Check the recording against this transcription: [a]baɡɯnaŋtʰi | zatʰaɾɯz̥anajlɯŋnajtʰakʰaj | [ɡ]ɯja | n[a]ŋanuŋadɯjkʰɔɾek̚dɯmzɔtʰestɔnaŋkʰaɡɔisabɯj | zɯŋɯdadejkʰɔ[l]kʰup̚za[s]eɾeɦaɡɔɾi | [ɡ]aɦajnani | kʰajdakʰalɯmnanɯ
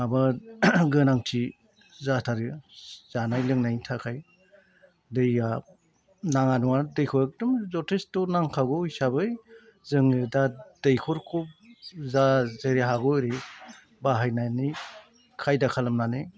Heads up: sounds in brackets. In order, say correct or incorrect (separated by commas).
correct, incorrect, correct, incorrect, incorrect, incorrect